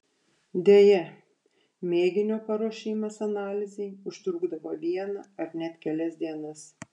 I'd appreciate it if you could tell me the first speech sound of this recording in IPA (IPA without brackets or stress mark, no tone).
d̪ʲ